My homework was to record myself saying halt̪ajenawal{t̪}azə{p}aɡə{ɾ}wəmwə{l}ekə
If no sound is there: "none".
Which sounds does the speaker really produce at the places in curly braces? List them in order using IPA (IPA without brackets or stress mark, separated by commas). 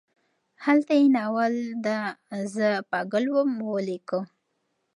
d̪, p, l, l